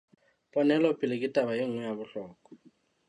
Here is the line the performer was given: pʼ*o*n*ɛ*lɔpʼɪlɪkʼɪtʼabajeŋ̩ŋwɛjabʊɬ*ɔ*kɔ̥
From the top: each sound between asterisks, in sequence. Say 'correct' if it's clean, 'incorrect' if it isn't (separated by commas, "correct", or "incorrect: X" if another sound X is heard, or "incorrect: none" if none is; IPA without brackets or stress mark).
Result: incorrect: ɔ, correct, incorrect: ɔː